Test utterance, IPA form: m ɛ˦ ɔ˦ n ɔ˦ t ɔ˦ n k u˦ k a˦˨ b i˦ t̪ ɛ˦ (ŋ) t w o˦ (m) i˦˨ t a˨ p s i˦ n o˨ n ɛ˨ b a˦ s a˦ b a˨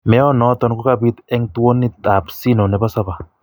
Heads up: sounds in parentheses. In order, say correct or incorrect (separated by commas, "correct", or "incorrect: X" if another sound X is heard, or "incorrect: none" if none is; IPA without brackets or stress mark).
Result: correct, incorrect: n